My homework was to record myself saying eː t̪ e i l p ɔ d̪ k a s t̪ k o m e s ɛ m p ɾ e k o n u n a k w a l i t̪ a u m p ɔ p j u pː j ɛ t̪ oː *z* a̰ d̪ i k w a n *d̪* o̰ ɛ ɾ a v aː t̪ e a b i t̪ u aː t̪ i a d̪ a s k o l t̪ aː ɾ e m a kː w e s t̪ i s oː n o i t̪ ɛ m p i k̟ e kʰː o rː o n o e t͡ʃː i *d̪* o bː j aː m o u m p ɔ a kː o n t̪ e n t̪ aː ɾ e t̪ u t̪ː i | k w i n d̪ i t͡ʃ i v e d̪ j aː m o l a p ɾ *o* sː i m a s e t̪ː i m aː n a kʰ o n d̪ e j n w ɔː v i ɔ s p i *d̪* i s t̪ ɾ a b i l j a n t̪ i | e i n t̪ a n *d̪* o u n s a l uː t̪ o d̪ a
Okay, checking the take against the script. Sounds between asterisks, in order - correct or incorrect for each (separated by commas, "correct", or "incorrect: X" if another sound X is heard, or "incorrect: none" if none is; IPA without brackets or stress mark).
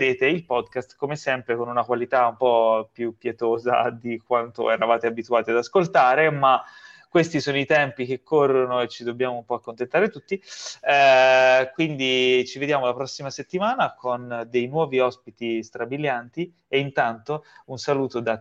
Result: correct, incorrect: t̪, correct, incorrect: ɔ, incorrect: t̪, incorrect: t̪